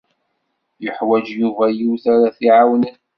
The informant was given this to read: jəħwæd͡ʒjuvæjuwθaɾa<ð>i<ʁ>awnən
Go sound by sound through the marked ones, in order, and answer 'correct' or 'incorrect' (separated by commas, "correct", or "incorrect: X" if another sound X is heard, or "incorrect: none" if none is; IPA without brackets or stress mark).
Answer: incorrect: θ, incorrect: ʕ